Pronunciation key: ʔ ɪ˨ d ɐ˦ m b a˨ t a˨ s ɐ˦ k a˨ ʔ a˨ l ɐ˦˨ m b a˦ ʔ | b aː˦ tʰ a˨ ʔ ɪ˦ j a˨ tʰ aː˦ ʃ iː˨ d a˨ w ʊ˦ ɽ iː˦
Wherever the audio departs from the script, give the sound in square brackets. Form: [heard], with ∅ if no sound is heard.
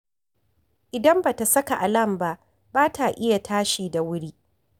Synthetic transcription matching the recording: ʔ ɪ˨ d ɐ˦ m b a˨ t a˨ s ɐ˦ k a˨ ʔ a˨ l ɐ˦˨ m b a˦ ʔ | b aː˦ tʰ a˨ ʔ ɪ˦ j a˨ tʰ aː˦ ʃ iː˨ d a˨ w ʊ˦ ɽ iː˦